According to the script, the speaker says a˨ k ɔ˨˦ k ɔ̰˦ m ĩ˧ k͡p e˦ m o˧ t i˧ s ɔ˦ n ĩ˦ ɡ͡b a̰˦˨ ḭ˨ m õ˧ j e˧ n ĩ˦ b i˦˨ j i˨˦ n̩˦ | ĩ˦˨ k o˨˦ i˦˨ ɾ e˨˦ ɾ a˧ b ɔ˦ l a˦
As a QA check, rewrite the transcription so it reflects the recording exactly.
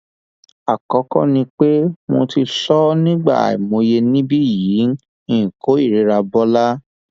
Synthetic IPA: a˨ k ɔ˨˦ k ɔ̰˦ n ĩ˧ k͡p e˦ m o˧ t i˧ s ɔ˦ n ĩ˦ ɡ͡b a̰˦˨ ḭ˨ m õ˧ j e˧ n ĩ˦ b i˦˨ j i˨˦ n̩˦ | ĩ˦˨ k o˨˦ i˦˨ ɾ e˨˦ ɾ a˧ b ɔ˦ l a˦

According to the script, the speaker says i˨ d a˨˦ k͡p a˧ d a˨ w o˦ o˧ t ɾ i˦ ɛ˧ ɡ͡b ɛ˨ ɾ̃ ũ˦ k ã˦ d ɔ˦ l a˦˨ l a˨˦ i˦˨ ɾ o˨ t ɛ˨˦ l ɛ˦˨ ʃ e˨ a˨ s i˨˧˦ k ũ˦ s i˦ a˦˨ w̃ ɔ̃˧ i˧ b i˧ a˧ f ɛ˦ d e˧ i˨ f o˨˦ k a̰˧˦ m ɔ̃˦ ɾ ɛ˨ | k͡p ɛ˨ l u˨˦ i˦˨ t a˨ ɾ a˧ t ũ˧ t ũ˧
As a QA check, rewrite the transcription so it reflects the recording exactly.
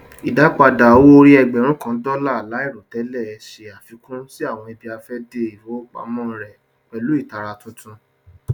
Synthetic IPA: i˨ d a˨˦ k͡p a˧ d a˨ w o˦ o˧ ɾ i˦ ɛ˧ ɡ͡b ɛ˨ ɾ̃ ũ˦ k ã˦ d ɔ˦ l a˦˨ l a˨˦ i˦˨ ɾ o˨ t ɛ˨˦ l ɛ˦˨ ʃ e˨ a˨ f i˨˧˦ k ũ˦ s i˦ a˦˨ w̃ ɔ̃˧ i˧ b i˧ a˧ f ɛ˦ d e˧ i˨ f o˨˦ k͡p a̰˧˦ m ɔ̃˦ ɾ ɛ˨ | k͡p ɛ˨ l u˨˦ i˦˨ t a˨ ɾ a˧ t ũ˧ t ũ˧

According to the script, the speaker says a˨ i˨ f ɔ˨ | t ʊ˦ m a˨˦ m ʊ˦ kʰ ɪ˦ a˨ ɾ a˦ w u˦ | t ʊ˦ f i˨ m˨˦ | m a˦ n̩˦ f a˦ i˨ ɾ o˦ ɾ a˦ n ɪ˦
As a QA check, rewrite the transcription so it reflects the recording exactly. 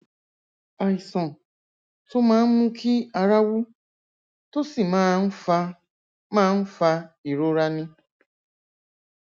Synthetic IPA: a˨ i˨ s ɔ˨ | t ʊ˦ m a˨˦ m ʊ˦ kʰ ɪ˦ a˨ ɾ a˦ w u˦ | t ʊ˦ s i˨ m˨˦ | m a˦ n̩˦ f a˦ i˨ ɾ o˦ ɾ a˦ n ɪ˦

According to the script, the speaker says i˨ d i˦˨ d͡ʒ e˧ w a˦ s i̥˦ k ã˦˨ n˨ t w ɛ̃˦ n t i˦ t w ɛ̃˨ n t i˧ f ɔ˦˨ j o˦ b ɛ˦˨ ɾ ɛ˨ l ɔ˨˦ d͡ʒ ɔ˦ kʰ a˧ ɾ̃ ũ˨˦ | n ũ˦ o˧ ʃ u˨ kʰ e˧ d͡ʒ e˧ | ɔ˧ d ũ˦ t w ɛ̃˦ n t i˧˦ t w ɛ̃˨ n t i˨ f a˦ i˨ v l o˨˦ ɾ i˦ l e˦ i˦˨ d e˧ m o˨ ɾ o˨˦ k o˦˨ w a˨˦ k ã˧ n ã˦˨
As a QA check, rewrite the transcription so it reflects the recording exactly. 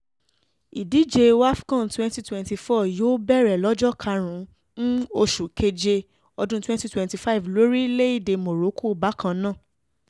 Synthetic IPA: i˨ d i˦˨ d͡ʒ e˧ w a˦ f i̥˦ k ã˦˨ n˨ t w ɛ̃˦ n t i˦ t w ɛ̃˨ n t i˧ f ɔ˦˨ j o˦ b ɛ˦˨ ɾ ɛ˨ l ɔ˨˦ d͡ʒ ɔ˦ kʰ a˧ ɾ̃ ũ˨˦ | n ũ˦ o˧ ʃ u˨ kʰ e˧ d͡ʒ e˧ | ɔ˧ d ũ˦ t w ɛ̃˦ n t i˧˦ t w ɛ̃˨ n t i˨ f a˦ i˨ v l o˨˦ ɾ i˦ l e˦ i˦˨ d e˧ m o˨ ɾ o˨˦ k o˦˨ b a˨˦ k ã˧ n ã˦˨

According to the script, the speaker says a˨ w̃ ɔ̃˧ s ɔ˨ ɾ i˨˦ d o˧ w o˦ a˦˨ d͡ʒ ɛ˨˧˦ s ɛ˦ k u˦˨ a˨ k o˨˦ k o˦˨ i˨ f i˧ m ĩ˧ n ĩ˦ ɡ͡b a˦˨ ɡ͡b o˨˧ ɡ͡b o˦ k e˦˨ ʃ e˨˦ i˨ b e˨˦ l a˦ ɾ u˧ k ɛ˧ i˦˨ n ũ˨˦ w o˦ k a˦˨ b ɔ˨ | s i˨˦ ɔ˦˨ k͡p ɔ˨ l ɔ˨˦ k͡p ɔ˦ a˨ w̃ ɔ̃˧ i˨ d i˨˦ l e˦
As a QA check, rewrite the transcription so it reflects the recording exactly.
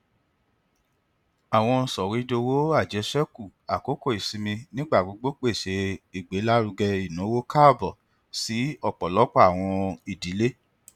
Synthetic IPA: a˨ w̃ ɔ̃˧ s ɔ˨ ɾ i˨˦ d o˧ w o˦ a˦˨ d͡ʒ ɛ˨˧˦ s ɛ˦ k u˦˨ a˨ k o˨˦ k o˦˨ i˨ s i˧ m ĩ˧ n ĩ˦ ɡ͡b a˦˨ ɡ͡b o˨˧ ɡ͡b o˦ k͡p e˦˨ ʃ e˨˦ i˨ ɡ͡b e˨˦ l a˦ ɾ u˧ ɡ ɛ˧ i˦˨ n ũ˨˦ w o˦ k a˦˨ b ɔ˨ | s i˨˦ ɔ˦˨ k͡p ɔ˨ l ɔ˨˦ k͡p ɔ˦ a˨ w̃ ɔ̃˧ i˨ d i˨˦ l e˦

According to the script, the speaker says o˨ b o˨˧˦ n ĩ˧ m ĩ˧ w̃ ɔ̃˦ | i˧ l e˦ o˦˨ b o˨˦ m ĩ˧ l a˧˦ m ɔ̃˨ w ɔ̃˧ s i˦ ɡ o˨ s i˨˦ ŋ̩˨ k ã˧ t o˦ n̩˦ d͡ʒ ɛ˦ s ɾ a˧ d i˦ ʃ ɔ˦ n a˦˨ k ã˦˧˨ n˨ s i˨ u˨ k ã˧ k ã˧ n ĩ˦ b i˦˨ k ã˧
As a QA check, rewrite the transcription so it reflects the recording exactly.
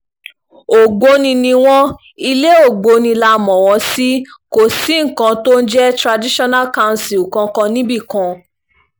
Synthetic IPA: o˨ ɡ͡b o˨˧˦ n ĩ˧ n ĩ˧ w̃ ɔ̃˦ | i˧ l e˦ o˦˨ ɡ͡b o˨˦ n ĩ˧ l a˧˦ m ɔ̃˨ w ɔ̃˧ s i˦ k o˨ s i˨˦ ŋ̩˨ k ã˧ t o˦ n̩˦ d͡ʒ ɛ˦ t ɾ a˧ d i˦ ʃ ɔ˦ n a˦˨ k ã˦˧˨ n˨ s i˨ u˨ k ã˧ k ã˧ n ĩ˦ b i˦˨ k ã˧

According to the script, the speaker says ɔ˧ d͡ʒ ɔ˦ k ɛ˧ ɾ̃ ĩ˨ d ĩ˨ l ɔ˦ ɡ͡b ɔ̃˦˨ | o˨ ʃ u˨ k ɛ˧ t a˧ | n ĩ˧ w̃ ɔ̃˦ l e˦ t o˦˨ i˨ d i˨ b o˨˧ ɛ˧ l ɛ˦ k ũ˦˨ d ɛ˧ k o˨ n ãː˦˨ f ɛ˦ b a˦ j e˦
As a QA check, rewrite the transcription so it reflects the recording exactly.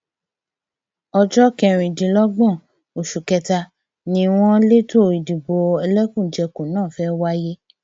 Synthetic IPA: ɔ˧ d͡ʒ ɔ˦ k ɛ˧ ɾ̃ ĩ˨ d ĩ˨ l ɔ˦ ɡ͡b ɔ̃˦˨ | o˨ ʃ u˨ k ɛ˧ t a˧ | n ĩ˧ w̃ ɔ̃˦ l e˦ t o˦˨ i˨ d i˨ b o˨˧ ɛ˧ l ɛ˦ k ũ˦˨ d͡ʒ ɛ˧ k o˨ n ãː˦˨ f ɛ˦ w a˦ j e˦

